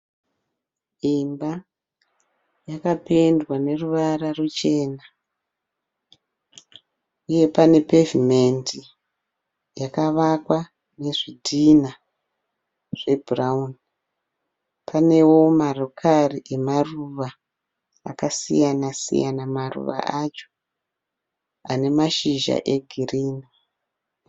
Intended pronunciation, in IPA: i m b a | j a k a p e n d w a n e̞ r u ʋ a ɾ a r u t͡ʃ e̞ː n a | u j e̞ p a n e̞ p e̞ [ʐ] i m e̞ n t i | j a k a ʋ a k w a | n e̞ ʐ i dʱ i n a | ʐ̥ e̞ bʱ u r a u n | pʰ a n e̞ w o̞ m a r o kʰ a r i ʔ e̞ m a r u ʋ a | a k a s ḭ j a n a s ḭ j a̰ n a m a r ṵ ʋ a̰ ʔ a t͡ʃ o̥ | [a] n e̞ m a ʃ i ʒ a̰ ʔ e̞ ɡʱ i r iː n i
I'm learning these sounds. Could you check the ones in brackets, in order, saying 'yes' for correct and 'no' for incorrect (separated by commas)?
no, yes